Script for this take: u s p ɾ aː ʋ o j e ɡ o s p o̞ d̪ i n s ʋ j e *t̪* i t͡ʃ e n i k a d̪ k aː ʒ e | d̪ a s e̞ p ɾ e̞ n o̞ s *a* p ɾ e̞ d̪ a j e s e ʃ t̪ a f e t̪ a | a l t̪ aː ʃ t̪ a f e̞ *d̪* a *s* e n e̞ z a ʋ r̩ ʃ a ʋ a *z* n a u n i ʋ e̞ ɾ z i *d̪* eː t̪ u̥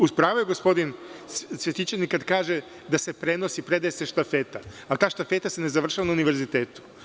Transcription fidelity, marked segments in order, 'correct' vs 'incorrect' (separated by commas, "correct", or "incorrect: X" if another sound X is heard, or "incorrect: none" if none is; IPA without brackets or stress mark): correct, incorrect: i, incorrect: t̪, correct, incorrect: none, incorrect: t̪